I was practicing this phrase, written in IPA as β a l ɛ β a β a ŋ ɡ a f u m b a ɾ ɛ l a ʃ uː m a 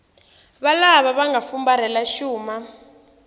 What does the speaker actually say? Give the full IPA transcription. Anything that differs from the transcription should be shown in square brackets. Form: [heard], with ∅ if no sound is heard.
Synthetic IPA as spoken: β a l [a] β a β a ŋ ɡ a f u m b a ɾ ɛ l a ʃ uː m a